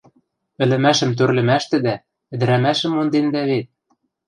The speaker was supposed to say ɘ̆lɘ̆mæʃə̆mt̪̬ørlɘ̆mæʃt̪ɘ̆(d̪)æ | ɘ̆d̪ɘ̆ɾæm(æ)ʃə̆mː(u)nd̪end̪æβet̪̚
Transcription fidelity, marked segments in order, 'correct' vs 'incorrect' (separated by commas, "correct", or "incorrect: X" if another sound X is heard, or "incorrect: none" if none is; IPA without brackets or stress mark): correct, correct, incorrect: o